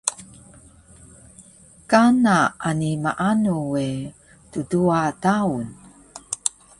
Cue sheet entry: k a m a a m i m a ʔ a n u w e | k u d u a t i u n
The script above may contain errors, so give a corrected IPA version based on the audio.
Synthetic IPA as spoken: k a n a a n i m a ʔ a n u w e | t u d u a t a u n

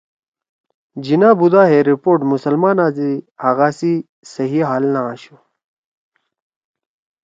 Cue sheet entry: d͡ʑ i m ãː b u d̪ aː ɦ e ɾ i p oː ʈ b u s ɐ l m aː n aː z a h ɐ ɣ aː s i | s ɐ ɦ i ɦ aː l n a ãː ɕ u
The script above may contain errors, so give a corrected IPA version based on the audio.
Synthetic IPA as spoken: d͡ʑ i n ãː b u d̪ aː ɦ e ɾ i p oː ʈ m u s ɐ l m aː n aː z i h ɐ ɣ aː s i | s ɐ ɦ i ɦ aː l n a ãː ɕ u

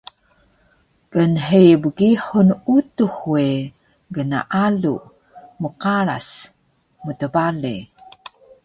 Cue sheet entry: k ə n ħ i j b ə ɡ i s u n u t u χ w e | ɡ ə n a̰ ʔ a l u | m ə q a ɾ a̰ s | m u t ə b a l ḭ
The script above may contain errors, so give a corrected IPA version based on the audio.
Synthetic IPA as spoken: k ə n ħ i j b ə ɡ i ħ u n u t u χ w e | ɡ ə n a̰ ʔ a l u | m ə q a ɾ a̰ s | m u t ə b a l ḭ

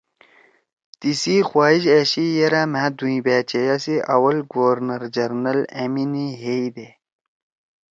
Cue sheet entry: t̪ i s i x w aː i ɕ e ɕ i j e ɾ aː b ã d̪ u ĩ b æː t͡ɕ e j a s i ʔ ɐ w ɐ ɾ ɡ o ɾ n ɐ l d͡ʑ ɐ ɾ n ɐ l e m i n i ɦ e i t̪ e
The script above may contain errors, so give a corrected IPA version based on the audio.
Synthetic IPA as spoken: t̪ i s i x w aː i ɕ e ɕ i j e ɾ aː m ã d̪ u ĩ b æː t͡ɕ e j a s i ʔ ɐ w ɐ l ɡ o ɾ n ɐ ɾ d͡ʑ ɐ ɾ n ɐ l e m i n i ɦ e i d̪ e

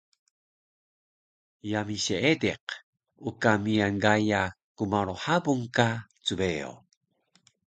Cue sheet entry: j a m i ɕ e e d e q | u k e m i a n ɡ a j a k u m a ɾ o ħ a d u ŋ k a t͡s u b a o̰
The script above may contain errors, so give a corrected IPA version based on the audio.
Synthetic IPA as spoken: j a m i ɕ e e d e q | u k a m i a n ɡ a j a k u m a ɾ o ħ a b u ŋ k a t͡s u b e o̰

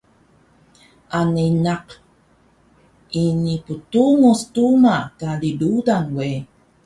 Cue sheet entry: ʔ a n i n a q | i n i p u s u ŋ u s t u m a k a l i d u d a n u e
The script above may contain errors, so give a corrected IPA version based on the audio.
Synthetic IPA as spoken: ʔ a n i n a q | i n i p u t u ŋ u s t u m a k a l i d u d a n w e

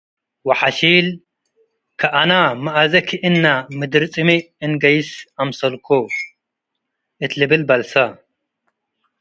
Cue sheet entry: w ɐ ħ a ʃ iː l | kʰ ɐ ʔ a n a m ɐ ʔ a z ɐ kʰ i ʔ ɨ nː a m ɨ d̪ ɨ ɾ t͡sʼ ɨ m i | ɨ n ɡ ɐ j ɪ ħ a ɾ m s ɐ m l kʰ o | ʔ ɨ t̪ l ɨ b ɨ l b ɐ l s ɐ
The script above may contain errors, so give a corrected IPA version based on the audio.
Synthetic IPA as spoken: w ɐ ħ a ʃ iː l | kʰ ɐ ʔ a n a m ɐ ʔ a z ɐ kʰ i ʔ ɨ nː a m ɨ d̪ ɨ ɾ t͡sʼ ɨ m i | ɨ n ɡ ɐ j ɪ s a m s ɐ l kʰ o | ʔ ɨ t̪ l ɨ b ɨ l b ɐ l s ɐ

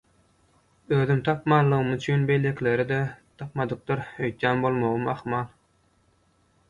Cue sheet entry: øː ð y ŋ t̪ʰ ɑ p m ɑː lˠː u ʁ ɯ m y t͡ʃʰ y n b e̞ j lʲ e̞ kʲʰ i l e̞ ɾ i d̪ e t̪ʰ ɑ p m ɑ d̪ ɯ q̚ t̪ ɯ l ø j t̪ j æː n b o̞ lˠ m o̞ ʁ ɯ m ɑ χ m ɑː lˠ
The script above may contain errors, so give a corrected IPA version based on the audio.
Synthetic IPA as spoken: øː ð y m t̪ʰ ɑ p m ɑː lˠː ɯ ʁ ɯ m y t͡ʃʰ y n b e̞ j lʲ e̞ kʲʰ i l e̞ ɾ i d̪ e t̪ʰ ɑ p m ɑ d̪ ɯ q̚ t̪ ɯ ɾ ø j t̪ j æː n b o̞ lˠ m o̞ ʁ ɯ m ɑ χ m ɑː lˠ

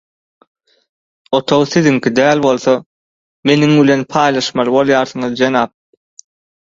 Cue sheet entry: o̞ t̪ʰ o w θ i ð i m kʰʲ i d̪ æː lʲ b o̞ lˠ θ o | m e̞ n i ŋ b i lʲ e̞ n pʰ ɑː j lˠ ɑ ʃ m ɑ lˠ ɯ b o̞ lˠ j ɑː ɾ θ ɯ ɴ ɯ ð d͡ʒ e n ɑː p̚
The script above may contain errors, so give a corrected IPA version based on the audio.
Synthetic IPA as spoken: o̞ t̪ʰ o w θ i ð i ŋ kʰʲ i d̪ æː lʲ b o̞ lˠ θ o | m e̞ n i ŋ b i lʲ e̞ n pʰ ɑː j lˠ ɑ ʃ m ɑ lˠ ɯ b o̞ lˠ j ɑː ɾ θ ɯ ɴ ɯ ð d͡ʒ e n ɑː p̚

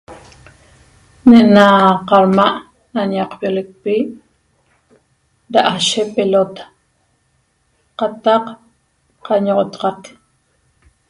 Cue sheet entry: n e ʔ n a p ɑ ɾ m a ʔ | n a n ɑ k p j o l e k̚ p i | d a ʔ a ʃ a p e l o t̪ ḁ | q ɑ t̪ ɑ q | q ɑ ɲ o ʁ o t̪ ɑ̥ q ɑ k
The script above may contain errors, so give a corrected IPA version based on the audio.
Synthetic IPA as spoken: n e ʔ n a q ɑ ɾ m a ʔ | n a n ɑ q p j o l e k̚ p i | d a ʔ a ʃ e p e l o t̪ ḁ | q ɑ t̪ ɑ q | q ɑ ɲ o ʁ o t̪ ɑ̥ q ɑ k

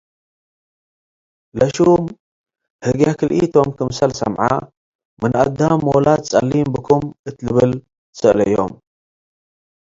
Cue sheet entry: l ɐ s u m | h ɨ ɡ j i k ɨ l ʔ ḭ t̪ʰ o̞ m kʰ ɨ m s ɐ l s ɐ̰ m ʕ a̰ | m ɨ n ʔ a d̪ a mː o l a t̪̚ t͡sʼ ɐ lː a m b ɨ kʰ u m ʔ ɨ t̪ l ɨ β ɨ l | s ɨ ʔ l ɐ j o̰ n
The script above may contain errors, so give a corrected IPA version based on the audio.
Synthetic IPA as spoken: l ɐ ʃ u m | h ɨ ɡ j a k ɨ l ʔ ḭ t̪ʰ o̞ m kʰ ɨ m s ɐ l s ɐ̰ m ʕ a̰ | m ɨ n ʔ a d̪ a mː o l a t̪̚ t͡sʼ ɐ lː i m b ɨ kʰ u m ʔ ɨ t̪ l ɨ β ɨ l | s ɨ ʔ l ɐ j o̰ m

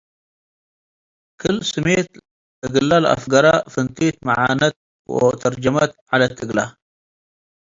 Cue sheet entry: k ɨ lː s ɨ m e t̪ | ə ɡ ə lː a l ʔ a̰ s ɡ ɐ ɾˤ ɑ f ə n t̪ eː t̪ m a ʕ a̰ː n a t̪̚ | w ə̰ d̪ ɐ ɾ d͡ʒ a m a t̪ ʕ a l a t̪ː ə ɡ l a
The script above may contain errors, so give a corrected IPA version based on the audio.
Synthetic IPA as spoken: k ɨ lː s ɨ m e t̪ | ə ɡ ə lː a l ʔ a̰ f ɡ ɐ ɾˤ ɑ f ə n t̪ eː t̪ m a ʕ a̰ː n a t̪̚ | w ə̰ t̪ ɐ ɾ d͡ʒ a m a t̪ ʕ a l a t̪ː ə ɡ l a

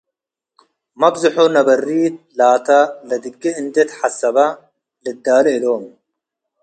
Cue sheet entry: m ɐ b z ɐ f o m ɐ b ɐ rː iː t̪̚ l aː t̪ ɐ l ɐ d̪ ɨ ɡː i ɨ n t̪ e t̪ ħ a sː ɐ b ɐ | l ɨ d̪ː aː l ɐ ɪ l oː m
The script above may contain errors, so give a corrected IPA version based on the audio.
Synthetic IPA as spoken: m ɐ b z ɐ ħ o n ɐ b ɐ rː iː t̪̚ l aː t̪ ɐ l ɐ d̪ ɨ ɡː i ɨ n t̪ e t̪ ħ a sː ɐ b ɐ | l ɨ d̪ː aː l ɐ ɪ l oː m

